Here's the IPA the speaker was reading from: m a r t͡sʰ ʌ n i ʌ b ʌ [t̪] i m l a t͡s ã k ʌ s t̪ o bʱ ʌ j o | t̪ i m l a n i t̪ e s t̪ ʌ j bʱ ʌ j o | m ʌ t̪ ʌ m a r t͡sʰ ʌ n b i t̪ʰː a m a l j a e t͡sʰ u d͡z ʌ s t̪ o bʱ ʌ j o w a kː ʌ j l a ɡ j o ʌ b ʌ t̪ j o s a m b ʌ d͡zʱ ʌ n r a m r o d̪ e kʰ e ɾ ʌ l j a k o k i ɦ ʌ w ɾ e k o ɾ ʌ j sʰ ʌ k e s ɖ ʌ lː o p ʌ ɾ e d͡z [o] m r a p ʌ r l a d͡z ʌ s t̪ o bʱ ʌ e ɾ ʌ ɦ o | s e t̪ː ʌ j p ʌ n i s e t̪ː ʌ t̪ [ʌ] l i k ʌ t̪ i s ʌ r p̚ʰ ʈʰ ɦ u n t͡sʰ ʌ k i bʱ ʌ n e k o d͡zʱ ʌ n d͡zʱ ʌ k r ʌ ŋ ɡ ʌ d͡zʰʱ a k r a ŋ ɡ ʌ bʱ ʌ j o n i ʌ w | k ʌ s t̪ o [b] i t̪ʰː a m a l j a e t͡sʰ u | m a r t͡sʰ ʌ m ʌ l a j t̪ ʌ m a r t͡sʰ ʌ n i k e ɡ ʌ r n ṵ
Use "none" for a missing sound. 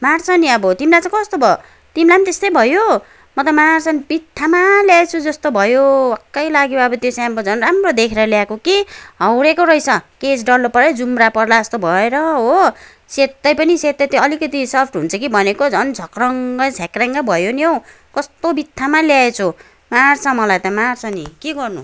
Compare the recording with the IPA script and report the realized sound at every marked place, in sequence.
t̪, u, ʌ, b

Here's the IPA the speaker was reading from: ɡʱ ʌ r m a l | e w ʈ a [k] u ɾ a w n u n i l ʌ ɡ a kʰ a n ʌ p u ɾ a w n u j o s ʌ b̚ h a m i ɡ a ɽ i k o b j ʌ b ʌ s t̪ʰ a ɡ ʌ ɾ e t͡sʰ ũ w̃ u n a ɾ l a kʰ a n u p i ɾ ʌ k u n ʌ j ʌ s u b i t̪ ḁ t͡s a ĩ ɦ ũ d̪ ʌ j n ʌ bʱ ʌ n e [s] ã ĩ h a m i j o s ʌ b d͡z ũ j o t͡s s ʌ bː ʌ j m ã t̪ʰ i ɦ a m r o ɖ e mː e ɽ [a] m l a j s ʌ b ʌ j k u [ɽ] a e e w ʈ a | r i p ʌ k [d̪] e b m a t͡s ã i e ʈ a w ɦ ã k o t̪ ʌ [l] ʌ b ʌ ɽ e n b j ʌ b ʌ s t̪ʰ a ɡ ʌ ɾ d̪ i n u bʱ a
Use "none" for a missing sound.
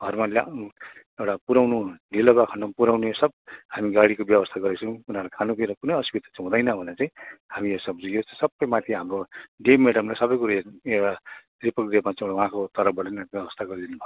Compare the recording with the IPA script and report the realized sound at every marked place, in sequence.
p, t͡s, ʌ, ɾ, d̪, ɾ

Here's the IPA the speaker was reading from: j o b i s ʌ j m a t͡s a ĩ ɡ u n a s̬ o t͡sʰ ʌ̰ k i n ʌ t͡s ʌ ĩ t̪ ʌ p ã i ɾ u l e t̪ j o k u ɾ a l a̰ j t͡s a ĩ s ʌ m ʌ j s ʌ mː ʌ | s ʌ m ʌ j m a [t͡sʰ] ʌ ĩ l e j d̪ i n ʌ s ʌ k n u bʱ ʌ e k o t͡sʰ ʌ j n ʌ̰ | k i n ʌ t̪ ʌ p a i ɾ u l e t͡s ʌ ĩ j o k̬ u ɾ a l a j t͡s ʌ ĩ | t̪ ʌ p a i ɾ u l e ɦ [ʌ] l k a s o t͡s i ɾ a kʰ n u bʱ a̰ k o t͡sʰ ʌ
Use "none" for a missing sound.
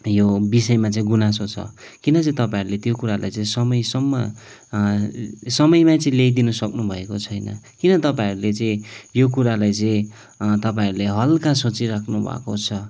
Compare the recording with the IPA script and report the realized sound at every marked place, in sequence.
t͡s, ʌ

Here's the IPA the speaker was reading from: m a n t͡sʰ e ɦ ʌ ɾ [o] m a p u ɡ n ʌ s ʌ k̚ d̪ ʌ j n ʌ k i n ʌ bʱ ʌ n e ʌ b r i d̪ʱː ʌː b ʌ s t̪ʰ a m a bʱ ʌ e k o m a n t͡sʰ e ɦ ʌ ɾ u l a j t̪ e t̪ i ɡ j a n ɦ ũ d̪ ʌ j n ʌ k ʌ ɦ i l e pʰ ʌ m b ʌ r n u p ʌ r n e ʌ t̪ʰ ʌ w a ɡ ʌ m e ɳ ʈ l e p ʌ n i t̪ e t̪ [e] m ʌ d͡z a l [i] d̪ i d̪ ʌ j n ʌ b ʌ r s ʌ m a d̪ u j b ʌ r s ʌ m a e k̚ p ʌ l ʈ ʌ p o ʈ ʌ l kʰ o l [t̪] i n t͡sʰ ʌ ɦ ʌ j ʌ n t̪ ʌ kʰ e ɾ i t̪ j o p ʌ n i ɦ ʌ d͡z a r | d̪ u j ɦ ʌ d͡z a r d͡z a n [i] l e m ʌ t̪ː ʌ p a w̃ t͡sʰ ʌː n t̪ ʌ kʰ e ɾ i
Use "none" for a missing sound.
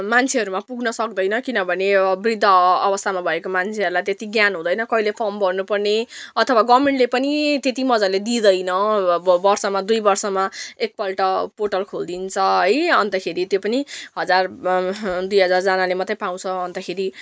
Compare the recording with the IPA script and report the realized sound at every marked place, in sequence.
u, i, e, d̪, a

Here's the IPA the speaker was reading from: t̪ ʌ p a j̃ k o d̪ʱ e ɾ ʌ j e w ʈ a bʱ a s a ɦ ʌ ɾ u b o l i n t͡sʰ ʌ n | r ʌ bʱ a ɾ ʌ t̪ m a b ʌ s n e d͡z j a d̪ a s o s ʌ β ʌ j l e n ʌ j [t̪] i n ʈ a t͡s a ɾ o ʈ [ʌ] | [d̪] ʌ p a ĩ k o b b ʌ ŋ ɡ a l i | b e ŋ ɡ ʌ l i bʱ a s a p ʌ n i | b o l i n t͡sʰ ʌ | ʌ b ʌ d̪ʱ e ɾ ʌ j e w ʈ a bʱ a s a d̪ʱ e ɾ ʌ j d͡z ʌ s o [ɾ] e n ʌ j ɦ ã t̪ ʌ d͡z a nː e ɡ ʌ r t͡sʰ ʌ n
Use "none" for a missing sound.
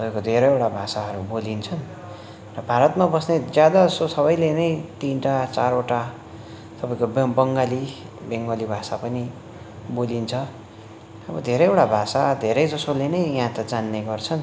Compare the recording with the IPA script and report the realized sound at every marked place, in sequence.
t̪, a, t̪, l

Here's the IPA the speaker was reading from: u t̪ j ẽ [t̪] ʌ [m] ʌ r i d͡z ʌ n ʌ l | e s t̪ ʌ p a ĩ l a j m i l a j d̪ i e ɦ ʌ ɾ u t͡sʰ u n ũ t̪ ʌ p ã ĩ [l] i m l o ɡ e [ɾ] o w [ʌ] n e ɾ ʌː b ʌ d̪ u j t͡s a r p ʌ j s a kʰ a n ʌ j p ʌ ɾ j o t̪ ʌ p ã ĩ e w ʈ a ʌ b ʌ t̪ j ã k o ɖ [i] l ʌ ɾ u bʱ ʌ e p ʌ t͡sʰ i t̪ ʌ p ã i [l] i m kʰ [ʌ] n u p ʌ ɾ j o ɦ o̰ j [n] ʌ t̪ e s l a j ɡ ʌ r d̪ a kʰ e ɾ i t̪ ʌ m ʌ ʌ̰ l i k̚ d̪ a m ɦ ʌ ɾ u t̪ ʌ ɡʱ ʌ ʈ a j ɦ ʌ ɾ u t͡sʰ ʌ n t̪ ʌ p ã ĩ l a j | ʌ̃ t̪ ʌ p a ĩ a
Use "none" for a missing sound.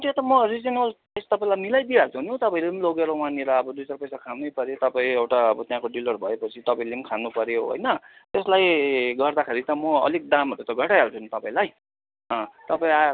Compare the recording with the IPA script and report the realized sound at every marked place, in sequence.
t̪, m, l, ɾ, a, i, l, a, n

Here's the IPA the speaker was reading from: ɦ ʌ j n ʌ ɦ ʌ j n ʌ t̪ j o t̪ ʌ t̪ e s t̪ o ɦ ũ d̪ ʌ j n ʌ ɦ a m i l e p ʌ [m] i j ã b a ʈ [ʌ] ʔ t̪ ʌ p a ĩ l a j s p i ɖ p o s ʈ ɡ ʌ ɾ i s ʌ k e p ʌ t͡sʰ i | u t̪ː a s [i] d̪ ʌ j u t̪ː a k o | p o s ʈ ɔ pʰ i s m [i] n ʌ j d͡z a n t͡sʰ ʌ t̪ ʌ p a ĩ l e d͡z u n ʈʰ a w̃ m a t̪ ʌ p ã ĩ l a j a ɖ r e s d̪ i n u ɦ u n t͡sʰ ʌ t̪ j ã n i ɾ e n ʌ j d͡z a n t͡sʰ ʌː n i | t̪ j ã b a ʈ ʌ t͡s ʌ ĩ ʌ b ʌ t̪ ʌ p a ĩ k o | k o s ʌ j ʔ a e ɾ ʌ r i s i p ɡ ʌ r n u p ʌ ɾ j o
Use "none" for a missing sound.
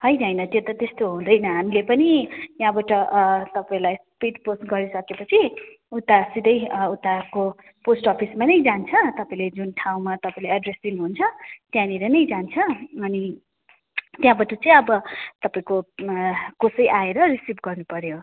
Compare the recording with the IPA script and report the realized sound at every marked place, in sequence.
n, ʌ, i, a

